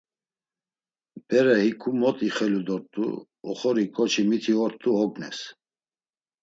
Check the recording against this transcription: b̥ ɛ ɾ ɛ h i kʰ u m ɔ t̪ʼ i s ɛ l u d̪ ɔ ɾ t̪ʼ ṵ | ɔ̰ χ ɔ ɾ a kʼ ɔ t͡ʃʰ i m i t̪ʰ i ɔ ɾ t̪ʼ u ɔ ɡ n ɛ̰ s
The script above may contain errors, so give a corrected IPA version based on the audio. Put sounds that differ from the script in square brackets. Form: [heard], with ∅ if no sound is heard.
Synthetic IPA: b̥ ɛ ɾ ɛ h i kʰ u m ɔ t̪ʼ i [χ] ɛ l u d̪ ɔ ɾ t̪ʼ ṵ | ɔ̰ χ ɔ ɾ [i] kʼ ɔ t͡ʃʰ i m i t̪ʰ i ɔ ɾ t̪ʼ u ɔ ɡ n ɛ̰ s